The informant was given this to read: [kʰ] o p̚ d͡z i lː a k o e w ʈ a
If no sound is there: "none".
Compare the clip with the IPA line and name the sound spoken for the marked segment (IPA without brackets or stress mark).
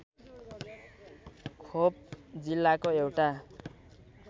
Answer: kʰ